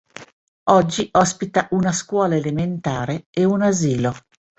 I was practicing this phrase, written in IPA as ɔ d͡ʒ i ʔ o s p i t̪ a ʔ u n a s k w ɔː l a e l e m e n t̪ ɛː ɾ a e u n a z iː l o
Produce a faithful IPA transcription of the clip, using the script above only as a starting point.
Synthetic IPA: ɔ d͡ʒː i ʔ ɔ s p i t̪ a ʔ u n a s k w ɔː l a e l e m e n t̪ aː ɾ e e u n a z iː l o